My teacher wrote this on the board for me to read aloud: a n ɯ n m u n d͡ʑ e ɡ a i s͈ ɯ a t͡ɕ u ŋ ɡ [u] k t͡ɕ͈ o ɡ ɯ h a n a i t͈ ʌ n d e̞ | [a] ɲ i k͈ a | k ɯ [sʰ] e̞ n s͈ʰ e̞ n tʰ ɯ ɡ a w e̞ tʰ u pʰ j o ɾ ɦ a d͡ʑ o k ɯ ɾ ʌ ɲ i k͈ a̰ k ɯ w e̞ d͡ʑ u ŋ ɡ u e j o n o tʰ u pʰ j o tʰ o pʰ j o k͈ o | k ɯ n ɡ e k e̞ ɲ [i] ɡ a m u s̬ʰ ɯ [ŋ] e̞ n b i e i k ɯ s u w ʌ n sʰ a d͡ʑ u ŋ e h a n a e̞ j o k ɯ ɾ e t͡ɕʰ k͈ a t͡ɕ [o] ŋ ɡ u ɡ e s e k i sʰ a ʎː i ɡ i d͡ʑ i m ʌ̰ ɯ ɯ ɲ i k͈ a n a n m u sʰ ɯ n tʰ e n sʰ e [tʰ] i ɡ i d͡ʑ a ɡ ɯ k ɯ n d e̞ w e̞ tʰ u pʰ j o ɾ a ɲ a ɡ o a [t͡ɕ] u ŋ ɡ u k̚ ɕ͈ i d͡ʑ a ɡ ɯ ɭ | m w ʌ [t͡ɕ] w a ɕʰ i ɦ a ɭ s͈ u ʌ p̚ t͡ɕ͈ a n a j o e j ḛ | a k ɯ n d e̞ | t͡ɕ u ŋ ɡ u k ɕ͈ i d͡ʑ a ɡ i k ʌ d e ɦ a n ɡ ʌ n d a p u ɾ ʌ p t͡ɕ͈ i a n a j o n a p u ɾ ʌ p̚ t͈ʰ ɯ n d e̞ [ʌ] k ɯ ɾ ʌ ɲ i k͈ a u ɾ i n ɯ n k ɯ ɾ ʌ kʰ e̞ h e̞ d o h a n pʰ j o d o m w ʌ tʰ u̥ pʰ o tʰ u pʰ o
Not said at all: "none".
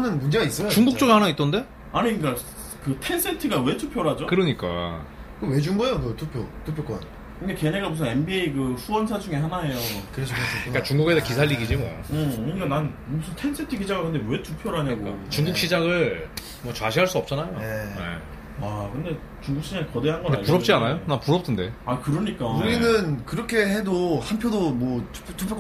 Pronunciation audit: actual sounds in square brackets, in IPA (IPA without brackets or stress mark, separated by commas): u, a, tʰ, e, n, u, tʰ, t͡ɕ, t͡ɕ, a